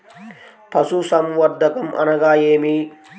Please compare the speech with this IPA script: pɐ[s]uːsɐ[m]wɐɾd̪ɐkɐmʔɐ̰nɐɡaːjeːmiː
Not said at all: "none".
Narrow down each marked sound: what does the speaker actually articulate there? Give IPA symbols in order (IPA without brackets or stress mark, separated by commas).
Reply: s, m